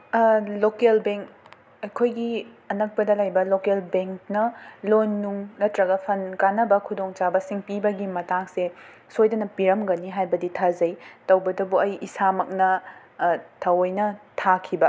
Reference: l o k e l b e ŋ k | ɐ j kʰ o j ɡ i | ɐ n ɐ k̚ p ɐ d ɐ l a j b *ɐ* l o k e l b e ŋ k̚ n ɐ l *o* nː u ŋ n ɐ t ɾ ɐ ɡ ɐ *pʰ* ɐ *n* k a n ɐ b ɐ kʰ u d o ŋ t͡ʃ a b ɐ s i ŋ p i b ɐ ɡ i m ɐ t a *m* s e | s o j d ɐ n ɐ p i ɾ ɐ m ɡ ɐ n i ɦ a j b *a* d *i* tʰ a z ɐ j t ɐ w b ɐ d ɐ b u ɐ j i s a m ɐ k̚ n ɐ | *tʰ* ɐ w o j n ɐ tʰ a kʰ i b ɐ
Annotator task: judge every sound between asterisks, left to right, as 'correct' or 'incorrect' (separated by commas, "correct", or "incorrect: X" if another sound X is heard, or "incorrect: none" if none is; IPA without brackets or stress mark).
correct, correct, correct, correct, incorrect: ŋ, incorrect: ɐ, correct, correct